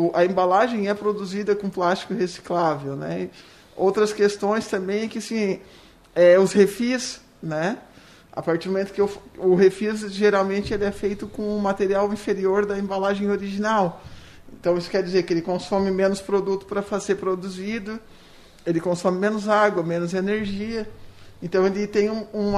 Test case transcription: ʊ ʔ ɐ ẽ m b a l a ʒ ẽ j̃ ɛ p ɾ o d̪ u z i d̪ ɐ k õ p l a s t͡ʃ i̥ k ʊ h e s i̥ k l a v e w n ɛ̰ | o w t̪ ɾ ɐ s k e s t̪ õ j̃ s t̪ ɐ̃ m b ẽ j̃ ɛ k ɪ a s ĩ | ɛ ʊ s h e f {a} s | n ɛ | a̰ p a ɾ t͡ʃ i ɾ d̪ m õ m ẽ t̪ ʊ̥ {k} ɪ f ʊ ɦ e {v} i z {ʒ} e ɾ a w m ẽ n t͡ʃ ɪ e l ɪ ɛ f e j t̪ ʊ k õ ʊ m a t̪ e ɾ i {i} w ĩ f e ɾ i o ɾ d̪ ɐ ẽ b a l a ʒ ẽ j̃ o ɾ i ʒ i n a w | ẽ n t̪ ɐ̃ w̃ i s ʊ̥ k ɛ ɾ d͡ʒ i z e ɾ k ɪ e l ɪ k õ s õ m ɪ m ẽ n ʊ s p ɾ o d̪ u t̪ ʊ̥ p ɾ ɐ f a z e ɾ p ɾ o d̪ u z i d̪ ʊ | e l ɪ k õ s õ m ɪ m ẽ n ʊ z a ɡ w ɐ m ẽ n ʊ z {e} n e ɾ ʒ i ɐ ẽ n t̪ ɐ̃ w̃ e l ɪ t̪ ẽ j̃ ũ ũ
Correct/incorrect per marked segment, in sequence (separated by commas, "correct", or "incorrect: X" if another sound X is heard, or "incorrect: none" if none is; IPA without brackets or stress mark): incorrect: i, correct, incorrect: f, correct, incorrect: a, correct